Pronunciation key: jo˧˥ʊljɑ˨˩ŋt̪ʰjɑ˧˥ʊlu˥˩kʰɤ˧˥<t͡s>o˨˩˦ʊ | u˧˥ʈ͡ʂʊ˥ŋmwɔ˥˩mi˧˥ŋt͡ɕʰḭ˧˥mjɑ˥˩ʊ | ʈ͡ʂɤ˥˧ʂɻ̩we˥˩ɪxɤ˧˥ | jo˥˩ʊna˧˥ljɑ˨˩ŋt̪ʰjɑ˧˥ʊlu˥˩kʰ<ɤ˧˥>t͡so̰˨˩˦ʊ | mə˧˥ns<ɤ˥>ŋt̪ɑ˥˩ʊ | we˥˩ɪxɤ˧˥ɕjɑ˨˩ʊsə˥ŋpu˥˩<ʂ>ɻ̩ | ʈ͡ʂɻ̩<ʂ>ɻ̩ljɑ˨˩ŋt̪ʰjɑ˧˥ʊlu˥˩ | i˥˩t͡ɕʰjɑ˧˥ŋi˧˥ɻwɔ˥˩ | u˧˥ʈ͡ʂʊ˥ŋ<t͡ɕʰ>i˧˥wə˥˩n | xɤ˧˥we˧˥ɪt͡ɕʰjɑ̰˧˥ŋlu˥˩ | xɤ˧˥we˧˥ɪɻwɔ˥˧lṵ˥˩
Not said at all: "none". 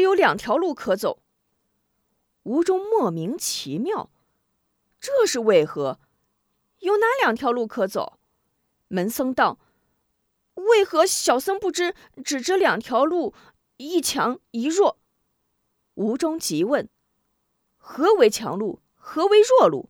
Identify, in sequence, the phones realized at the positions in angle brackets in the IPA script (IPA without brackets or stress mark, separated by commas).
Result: t͡s, ɤ˧˥, ɤ˥, ʈ͡ʂ, ʈ͡ʂ, t͡ɕ